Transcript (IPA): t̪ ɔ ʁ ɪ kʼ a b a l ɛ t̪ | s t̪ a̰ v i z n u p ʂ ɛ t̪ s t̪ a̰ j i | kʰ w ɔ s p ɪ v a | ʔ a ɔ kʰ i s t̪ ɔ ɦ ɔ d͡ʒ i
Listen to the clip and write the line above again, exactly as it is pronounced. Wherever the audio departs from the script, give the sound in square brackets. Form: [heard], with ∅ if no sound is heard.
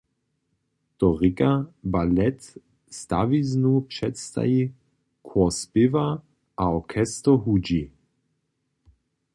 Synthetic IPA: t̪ ɔ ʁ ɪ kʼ a b a l ɛ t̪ | s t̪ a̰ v i z n u p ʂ ɛ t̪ s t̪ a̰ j i | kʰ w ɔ s p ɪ v a | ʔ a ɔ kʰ [ɛ] s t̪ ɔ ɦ [u] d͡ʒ i